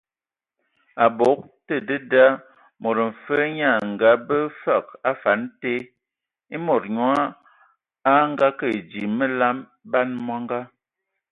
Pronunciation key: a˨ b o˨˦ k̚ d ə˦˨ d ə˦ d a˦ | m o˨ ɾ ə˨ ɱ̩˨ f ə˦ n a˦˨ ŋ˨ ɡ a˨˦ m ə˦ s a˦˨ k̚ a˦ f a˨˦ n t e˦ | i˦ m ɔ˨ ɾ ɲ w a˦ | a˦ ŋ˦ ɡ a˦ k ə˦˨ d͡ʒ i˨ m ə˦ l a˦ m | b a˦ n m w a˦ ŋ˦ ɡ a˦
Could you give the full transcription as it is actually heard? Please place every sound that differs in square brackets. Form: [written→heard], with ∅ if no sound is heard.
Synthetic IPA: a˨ b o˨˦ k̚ [d→t] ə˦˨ d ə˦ d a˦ | m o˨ ɾ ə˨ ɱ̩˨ f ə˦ [n→ɲ] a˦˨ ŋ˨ ɡ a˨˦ [m→b] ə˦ [s→f] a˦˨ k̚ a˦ f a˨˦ n t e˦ | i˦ m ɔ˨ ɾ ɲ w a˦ | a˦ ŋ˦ ɡ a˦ k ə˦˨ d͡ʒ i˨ m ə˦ l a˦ m | b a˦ n m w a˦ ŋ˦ ɡ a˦